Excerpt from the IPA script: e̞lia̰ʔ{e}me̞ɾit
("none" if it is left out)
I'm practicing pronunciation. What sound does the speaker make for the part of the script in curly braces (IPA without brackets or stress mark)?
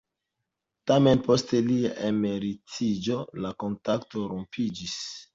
e